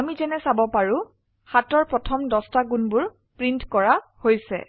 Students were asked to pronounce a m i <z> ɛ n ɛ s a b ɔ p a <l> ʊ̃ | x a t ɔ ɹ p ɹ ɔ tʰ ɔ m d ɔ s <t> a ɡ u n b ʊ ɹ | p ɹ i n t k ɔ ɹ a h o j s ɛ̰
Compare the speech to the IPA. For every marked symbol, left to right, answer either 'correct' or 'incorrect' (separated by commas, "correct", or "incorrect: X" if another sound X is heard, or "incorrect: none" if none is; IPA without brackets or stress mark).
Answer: correct, incorrect: ɹ, correct